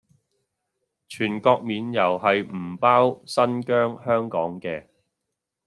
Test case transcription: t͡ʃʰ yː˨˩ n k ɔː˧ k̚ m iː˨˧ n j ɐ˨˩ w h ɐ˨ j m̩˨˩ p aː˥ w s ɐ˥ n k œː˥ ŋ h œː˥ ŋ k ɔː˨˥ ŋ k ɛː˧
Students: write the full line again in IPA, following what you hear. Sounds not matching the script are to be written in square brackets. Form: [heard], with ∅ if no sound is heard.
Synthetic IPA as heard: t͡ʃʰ yː˨˩ n k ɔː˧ k̚ m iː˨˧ n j ɐ˨˩ w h ɐ˨ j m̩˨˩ p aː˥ w s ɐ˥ n k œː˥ ŋ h œː˥ ŋ k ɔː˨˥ ŋ k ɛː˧